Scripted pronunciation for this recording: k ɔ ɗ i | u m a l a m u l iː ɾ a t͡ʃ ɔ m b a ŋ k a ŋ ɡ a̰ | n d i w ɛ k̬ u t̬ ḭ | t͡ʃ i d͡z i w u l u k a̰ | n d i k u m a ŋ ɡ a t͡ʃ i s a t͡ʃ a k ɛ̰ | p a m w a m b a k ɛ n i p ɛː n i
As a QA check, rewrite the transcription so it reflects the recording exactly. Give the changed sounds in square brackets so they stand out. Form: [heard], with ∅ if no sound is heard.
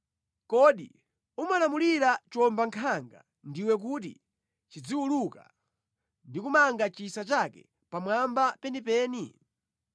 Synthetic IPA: k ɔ ɗ i | u m a l a m u l [i] ɾ a t͡ʃ ɔ m b a ŋ [kʰ] a ŋ ɡ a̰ | n d i w ɛ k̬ u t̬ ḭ | t͡ʃ i d͡z i w u l u k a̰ | n d i k u m a ŋ ɡ a t͡ʃ i s a t͡ʃ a k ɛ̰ | p a m w a m b a [p] ɛ n i p ɛː n i